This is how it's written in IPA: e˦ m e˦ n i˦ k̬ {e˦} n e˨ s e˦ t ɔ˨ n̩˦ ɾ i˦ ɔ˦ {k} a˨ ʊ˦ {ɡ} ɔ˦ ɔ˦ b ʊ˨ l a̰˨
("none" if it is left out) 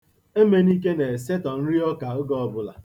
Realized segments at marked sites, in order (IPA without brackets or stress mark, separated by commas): e˦, k, ɡ